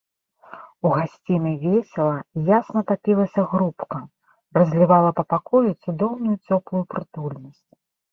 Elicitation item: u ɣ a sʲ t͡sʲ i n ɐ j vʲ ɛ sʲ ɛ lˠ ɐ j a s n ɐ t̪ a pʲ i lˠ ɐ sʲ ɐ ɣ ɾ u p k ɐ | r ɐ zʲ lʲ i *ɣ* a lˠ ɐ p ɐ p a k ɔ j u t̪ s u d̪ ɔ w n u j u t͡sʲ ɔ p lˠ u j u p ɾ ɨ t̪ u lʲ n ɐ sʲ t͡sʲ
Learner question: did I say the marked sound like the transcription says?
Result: no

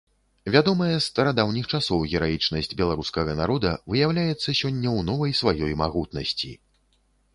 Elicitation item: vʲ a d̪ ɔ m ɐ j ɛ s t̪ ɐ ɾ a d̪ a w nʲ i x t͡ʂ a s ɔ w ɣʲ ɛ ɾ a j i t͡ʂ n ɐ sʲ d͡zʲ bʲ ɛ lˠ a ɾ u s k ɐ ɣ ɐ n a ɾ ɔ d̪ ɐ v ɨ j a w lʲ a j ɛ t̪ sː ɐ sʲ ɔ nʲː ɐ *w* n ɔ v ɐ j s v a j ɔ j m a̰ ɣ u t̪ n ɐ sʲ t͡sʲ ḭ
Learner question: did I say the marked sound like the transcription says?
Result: yes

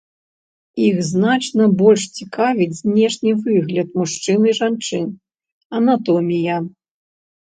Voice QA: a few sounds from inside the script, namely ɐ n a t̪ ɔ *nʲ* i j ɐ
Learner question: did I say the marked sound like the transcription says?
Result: no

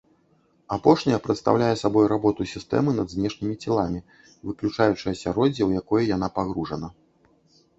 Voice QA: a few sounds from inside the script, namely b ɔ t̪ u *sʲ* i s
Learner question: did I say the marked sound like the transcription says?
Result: yes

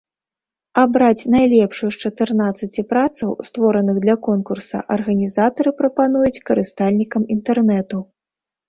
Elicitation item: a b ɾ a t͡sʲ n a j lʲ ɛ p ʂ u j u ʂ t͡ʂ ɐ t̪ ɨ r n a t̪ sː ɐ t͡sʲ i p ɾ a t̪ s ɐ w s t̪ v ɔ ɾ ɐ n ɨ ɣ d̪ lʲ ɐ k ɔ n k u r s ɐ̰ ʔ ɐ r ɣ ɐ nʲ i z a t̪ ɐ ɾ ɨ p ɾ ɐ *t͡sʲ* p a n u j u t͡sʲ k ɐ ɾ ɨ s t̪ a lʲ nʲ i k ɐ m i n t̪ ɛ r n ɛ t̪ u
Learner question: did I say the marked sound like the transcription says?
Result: no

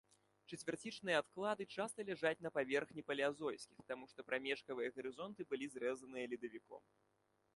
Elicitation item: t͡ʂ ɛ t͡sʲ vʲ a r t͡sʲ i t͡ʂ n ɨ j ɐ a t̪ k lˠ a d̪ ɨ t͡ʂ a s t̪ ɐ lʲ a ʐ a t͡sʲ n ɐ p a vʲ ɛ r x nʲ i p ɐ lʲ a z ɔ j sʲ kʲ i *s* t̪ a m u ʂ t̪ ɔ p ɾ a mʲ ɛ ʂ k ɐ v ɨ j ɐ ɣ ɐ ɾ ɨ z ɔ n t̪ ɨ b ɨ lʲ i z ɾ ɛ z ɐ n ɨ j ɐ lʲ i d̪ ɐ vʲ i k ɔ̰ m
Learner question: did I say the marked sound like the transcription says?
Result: no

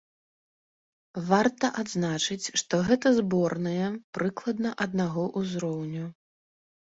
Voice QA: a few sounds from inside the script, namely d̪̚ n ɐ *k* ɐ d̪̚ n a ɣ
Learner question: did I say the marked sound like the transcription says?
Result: no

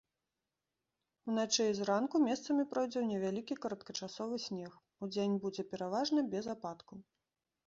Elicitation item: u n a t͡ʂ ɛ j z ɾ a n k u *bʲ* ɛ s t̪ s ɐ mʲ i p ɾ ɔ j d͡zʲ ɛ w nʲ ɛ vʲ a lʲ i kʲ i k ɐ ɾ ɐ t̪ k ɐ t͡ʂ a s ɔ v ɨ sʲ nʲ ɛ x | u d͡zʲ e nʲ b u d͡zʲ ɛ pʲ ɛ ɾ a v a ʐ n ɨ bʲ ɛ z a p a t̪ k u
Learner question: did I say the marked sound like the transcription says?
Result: no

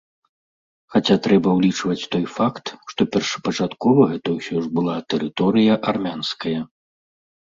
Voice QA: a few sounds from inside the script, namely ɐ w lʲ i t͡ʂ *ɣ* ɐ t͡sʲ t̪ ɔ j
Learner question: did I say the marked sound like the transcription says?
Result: no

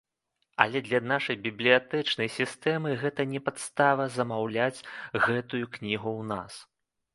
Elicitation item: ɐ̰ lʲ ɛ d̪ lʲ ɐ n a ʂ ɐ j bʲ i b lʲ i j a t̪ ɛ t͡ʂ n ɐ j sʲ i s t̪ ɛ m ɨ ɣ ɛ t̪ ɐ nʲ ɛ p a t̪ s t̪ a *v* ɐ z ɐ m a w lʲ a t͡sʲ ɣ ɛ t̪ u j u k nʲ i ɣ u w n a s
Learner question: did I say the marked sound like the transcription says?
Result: yes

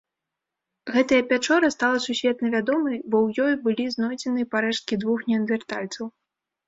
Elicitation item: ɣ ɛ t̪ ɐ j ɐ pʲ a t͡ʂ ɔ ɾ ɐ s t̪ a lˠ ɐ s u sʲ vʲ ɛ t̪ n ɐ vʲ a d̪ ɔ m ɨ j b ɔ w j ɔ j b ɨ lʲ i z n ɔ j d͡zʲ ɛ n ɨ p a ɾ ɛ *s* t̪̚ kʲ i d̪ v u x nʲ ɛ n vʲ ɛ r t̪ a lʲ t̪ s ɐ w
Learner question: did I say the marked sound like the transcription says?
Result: no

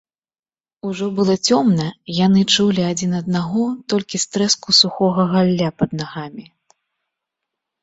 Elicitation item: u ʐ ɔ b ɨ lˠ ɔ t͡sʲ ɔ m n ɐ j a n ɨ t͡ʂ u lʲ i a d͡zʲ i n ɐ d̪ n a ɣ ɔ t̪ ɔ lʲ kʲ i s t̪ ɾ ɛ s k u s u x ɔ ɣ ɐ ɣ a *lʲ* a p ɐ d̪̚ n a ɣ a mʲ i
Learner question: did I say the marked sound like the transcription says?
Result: no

